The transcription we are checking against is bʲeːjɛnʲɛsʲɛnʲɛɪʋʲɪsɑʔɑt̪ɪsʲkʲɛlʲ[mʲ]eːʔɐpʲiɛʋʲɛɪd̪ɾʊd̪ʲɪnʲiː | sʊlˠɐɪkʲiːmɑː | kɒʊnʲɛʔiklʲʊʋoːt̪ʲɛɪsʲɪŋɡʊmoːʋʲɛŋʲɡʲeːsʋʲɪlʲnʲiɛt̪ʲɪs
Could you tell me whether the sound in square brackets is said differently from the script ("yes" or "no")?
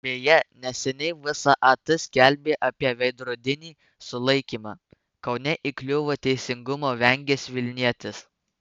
yes